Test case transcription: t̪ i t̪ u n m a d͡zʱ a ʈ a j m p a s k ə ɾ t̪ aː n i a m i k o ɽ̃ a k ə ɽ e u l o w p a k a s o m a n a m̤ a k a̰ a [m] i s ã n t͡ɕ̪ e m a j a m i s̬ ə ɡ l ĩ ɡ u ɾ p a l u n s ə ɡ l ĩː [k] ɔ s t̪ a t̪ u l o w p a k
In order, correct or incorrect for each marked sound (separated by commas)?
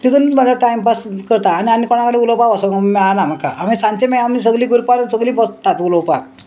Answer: correct, incorrect